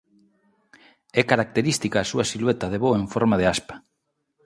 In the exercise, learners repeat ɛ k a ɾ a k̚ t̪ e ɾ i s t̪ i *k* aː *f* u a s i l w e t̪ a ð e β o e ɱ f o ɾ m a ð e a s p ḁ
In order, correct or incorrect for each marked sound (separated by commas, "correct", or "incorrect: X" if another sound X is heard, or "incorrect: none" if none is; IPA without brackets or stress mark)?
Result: correct, incorrect: s